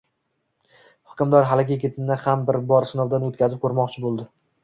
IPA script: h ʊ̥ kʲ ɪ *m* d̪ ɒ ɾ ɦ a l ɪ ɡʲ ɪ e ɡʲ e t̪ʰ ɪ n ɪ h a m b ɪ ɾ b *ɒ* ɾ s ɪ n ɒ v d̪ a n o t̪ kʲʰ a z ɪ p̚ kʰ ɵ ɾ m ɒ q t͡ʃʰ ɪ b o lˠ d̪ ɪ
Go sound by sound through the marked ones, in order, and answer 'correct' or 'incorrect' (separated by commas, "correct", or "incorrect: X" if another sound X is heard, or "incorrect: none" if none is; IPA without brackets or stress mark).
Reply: correct, correct